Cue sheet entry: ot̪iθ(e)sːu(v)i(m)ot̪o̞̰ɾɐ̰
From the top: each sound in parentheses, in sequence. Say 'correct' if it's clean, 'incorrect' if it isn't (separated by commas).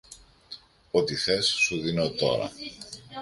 correct, incorrect, incorrect